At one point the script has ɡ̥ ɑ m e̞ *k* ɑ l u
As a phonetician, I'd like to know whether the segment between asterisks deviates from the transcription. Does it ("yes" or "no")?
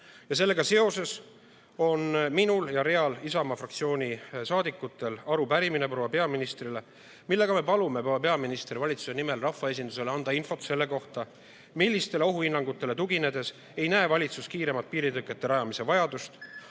yes